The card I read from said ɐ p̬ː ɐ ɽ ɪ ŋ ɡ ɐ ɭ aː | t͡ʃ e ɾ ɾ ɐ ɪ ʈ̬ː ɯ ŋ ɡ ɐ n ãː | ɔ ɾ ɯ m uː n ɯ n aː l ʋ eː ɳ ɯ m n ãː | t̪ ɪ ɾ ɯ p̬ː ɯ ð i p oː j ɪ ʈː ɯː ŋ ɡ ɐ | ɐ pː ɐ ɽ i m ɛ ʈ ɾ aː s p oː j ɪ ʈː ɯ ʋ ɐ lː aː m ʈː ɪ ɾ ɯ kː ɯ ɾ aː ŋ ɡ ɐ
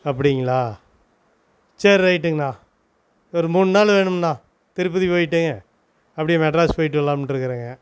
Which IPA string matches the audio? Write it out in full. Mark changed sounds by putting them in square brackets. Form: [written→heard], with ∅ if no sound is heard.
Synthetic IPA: ɐ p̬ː ɐ ɽ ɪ ŋ ɡ ɐ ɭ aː | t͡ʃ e ɾ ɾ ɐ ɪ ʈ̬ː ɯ ŋ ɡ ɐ n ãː | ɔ ɾ ɯ m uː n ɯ n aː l ʋ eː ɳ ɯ m n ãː | t̪ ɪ ɾ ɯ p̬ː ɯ ð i p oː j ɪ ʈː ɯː ŋ ɡ ɐ | ɐ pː ɐ ɽ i m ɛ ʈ ɾ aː s p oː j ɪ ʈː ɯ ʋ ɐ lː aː m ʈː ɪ ɾ ɯ kː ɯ ɾ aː ŋ ɡ ɐ